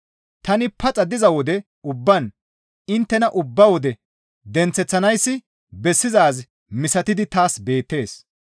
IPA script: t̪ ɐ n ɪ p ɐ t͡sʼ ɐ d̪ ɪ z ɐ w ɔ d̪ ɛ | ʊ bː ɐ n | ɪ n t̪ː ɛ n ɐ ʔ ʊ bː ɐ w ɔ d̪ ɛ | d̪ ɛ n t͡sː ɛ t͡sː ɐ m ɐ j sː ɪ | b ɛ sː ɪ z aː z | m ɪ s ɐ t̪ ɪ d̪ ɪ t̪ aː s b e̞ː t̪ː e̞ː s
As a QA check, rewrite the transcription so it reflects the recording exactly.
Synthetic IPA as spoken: t̪ ɐ n ɪ p ɐ t͡sʼ ɐ d̪ ɪ z ɐ w ɔ d̪ ɛ | ʊ bː ɐ n | ɪ n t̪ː ɛ n ɐ ʔ ʊ bː ɐ w ɔ d̪ ɛ | d̪ ɛ n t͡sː ɛ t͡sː ɐ n ɐ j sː ɪ | b ɛ sː ɪ z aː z | m ɪ s ɐ t̪ ɪ d̪ ɪ t̪ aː s b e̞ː t̪ː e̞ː s

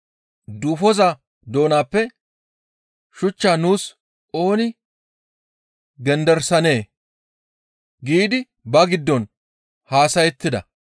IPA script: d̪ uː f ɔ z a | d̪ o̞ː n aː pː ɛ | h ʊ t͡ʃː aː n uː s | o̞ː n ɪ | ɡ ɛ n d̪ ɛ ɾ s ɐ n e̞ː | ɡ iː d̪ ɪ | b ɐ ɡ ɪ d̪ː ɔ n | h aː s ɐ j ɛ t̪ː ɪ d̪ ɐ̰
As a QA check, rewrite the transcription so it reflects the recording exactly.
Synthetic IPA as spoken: d̪ uː f ɔ z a | d̪ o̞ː n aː pː ɛ | ʃ ʊ t͡ʃː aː n uː s | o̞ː n ɪ | ɡ ɛ n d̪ ɛ ɾ s ɐ n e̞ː | ɡ iː d̪ ɪ | b ɐ ɡ ɪ d̪ː ɔ n | h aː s ɐ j ɛ t̪ː ɪ d̪ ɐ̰

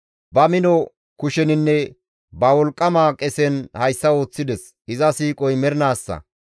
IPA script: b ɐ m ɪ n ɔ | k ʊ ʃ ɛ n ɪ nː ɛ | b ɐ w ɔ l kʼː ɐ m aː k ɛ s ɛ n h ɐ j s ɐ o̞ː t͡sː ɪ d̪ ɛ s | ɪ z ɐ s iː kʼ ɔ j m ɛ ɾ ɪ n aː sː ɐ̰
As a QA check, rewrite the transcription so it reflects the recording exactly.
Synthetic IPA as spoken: b ɐ m ɪ n ɔ | k ʊ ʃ ɛ n ɪ nː ɛ | b ɐ w ɔ l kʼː ɐ m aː kʼ ɛ s ɛ n h ɐ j sː ɐ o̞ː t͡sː ɪ d̪ ɛ s | ɪ z ɐ s iː kʼ ɔ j m ɛ ɾ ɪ n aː sː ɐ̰

